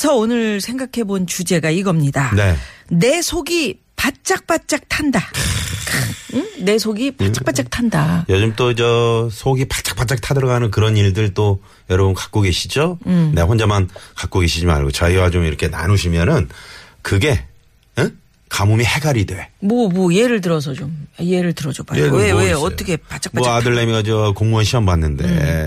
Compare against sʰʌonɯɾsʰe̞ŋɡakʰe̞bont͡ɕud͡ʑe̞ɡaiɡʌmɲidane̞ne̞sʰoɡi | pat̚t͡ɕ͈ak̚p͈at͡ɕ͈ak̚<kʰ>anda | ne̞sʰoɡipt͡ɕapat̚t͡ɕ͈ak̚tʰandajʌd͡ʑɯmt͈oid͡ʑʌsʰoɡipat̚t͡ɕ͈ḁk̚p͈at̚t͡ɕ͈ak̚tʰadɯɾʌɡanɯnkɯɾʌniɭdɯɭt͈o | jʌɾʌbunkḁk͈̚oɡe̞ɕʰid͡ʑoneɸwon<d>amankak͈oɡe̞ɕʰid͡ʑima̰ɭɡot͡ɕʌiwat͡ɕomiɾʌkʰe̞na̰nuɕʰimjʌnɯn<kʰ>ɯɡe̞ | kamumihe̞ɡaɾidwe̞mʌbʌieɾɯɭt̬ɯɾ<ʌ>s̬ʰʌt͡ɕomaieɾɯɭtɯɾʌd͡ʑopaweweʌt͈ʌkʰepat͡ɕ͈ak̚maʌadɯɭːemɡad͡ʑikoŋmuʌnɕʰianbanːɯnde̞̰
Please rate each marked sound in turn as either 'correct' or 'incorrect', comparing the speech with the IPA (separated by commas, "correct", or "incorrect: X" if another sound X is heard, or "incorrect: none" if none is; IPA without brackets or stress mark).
incorrect: tʰ, incorrect: d͡ʑ, incorrect: k, correct